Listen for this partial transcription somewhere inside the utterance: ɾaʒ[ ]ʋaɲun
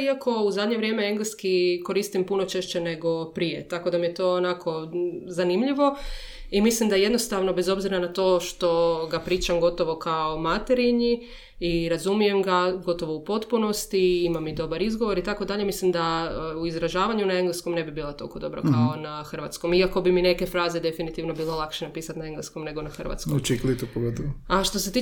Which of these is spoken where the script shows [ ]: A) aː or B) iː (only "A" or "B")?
A